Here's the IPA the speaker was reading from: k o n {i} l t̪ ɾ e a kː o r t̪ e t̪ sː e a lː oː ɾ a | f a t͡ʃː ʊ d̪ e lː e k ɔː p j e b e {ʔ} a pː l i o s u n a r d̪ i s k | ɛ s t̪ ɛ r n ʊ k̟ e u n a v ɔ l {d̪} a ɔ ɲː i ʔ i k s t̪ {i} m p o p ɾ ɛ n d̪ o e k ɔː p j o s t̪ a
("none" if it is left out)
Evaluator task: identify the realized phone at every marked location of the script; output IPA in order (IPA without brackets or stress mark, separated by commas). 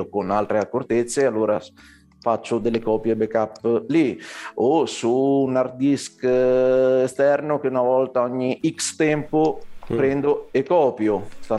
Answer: a, k, t̪, ɛ